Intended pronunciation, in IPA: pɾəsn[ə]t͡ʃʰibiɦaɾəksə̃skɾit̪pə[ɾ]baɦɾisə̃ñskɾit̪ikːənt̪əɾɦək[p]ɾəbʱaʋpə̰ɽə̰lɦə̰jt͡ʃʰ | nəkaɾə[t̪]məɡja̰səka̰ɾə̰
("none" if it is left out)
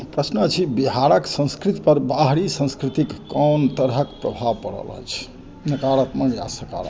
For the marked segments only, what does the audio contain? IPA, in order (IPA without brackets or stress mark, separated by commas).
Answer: ə, ɾ, p, t̪